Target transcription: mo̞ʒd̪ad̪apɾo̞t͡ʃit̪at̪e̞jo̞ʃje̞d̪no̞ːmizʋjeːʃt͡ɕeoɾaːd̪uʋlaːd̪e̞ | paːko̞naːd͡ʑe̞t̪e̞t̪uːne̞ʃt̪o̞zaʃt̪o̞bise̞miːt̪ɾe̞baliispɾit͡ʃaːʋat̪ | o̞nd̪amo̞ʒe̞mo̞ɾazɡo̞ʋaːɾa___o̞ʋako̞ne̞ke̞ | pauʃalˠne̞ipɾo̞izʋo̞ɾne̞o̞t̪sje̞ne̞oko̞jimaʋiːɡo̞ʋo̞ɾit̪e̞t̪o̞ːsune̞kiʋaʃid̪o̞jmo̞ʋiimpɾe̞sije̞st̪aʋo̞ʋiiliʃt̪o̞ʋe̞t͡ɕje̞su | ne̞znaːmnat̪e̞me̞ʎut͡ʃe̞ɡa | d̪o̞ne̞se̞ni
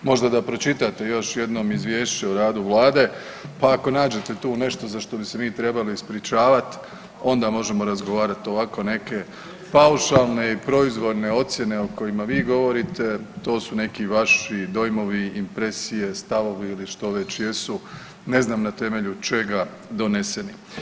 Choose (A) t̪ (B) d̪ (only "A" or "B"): A